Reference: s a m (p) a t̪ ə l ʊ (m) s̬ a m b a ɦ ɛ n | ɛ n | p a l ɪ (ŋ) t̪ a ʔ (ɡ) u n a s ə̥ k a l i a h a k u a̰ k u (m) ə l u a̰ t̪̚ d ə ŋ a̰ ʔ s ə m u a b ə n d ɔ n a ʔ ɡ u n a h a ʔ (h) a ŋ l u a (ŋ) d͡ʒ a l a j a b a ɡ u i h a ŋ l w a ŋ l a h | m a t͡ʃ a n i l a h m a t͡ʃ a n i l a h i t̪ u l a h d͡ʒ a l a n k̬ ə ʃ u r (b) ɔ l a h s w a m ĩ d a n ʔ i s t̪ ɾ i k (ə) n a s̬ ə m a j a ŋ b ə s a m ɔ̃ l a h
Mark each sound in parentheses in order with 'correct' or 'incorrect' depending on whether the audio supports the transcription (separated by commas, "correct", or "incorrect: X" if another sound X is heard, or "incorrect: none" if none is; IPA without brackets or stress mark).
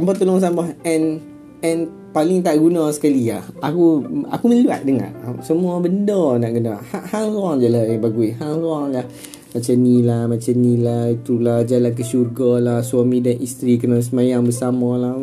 incorrect: b, incorrect: ŋ, correct, correct, correct, correct, correct, incorrect: ɡ, correct